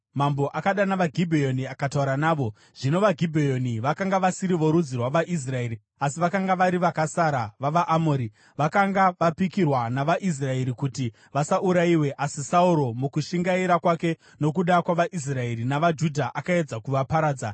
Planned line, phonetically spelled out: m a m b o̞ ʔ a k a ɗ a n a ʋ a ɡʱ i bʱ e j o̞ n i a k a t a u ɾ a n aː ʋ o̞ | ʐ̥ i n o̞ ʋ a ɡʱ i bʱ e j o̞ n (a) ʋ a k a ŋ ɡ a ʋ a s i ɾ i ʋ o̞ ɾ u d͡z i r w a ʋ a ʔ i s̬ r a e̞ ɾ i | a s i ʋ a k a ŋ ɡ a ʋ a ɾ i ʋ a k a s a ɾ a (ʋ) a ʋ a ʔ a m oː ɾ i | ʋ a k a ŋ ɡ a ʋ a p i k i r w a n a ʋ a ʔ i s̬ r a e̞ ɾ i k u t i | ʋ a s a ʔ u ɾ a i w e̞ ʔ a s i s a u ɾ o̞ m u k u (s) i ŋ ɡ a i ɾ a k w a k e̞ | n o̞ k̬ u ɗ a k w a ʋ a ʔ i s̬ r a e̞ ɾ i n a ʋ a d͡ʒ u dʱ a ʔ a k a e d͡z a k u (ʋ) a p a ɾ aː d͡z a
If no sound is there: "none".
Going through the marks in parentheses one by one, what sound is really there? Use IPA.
i, ʋ, ʃ, ʋ

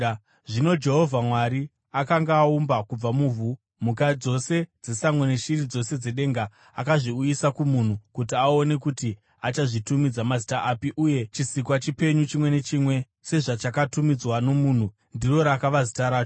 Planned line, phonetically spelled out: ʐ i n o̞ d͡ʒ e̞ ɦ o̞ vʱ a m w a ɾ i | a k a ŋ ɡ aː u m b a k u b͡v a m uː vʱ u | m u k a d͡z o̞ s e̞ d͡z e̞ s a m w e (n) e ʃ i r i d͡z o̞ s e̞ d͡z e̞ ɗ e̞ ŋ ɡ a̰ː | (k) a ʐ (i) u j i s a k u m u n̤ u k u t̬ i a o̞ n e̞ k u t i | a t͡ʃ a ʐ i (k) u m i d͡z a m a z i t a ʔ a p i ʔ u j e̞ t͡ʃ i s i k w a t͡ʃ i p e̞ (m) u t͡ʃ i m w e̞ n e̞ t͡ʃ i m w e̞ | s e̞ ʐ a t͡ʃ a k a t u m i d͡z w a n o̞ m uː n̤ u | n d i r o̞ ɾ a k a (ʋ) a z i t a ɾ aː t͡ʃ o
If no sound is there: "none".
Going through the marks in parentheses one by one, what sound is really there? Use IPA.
n, k, i, t, ɲ, ʋ

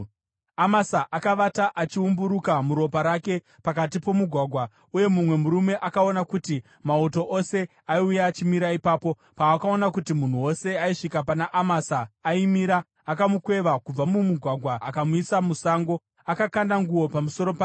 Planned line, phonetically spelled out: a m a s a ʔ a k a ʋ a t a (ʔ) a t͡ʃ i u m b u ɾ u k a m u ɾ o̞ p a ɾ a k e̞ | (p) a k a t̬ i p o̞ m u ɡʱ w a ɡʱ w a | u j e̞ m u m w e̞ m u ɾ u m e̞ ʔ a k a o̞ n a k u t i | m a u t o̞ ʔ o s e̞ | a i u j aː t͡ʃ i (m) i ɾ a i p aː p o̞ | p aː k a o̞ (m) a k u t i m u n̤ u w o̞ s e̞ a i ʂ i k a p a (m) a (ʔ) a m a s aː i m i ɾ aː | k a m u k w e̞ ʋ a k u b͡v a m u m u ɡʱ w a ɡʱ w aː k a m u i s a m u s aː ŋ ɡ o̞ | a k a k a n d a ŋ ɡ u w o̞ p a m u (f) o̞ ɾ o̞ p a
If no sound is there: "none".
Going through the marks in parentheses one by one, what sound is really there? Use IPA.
ʔ, p, m, n, n, ʔ, s

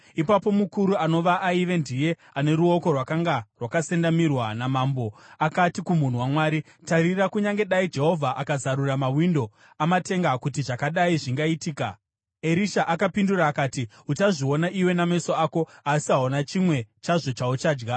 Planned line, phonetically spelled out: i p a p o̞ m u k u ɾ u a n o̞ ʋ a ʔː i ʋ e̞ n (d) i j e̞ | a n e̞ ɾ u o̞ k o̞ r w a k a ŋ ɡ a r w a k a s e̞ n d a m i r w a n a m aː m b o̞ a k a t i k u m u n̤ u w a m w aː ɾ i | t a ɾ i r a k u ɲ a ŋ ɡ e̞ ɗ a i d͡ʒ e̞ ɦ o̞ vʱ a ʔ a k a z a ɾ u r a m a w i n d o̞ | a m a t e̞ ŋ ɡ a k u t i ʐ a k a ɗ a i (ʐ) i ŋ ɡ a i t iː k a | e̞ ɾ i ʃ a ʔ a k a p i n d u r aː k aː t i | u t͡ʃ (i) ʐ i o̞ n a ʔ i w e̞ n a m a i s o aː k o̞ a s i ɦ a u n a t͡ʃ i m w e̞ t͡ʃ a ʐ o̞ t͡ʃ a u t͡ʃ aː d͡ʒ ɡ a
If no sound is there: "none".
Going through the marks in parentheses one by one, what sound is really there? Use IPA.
d, ʐ, a

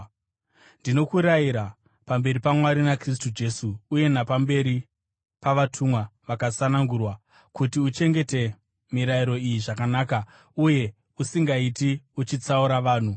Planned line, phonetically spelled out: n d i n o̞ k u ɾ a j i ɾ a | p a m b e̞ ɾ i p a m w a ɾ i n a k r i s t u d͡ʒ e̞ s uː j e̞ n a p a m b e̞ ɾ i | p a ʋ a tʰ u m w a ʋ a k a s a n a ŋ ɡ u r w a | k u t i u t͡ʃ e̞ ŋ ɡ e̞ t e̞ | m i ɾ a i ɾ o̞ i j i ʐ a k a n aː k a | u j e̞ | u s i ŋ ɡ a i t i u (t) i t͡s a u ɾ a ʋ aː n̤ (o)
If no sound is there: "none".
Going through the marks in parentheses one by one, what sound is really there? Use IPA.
t͡ʃ, u

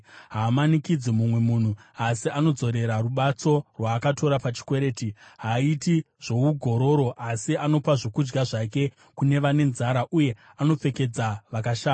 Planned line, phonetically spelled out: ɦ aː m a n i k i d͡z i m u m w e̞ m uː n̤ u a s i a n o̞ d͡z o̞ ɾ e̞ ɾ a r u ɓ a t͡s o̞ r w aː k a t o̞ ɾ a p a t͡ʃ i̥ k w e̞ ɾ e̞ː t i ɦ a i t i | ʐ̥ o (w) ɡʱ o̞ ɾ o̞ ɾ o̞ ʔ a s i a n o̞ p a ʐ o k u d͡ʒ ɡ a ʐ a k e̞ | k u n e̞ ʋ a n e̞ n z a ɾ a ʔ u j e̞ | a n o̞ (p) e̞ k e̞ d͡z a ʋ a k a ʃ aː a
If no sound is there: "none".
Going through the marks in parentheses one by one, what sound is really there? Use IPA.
u, p͡f

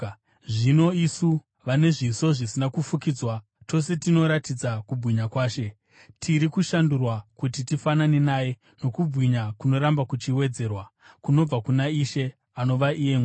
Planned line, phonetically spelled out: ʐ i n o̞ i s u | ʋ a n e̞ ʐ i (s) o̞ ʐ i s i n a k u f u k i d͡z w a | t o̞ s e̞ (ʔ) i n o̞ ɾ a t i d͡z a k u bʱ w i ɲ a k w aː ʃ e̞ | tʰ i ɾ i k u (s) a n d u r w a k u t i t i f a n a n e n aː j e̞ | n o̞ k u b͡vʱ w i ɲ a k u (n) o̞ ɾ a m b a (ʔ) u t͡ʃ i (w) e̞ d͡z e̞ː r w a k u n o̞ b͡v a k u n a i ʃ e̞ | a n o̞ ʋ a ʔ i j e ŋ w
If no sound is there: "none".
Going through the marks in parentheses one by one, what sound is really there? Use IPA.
s, t, ʃ, n, k, w

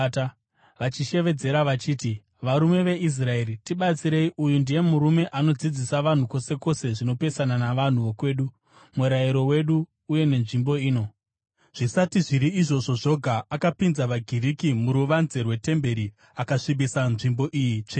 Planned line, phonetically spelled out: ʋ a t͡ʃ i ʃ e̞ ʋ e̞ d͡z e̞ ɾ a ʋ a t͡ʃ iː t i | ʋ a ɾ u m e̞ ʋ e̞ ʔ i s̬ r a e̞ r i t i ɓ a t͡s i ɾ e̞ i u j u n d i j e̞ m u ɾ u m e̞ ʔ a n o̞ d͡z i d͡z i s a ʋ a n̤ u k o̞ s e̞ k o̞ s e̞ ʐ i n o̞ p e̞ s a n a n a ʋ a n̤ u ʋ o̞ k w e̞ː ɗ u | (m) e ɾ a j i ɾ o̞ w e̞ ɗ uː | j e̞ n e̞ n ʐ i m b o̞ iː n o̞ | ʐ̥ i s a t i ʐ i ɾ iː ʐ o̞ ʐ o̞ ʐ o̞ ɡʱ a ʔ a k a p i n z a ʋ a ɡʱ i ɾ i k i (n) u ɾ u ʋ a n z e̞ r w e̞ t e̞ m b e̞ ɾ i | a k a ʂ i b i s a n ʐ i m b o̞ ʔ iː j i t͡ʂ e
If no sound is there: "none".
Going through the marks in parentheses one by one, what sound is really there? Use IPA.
m, m

